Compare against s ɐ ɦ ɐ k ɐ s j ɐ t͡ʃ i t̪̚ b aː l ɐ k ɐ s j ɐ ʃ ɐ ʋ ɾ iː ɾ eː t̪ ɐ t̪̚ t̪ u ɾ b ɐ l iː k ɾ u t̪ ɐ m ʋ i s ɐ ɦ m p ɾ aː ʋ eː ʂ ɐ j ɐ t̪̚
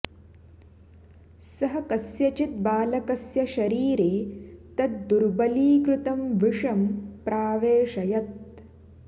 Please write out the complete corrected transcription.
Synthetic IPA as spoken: s ɐ ɦ ɐ k ɐ s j ɐ t͡ʃ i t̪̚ b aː l ɐ k ɐ s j ɐ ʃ ɐ ɾ iː ɾ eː t̪ ɐ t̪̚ d̪ u ɾ b ɐ l iː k ɾ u t̪ ɐ m ʋ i ʂ ɐ m p ɾ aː ʋ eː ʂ ɐ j ɐ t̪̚